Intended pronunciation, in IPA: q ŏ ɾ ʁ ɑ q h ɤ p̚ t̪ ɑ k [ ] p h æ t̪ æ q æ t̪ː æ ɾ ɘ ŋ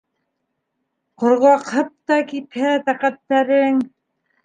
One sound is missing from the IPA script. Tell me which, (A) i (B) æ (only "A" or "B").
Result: A